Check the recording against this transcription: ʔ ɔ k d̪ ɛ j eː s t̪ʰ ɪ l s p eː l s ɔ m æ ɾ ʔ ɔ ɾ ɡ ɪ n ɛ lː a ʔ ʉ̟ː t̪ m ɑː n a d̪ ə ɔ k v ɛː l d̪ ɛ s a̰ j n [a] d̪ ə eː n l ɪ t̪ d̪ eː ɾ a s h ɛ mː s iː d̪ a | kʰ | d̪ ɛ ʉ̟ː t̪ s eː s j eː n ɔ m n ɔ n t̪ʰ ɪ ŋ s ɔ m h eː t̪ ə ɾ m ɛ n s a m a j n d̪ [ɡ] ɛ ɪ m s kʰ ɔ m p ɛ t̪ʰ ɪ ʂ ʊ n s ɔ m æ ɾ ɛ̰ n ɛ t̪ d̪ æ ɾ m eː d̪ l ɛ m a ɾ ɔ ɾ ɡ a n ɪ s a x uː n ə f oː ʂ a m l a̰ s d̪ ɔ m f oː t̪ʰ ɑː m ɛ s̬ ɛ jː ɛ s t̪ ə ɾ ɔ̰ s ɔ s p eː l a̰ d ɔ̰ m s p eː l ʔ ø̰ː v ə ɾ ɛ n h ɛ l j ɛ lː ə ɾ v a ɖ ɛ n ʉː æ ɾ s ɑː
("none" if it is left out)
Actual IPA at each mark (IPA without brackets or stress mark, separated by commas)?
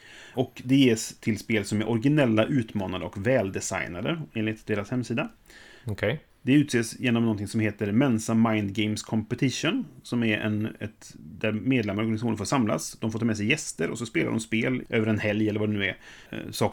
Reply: a, ɡ